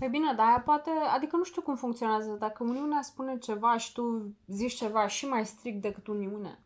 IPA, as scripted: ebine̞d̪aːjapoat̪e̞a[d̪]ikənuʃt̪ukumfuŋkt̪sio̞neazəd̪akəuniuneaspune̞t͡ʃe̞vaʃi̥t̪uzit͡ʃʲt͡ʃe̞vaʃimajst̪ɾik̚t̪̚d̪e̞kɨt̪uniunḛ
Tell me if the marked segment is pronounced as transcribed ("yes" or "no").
yes